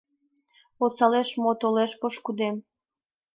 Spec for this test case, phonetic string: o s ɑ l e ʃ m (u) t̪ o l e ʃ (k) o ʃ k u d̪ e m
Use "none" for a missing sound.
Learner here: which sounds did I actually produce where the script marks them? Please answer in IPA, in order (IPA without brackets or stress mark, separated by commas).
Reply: o, p